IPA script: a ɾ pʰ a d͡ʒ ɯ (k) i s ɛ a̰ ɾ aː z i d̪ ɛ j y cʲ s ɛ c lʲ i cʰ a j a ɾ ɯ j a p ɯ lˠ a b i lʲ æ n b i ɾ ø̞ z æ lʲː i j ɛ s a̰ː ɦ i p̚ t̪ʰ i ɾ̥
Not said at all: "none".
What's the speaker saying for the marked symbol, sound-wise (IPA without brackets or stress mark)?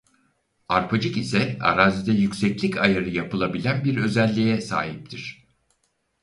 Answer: k